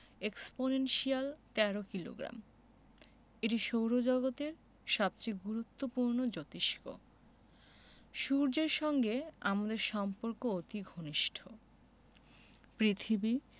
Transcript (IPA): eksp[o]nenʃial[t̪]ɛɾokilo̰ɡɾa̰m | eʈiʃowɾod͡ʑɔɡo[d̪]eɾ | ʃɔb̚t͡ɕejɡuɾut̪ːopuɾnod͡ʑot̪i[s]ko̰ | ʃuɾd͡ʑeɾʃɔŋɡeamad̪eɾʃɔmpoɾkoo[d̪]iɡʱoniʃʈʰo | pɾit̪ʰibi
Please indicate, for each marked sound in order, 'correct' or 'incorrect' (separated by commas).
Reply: correct, correct, incorrect, incorrect, incorrect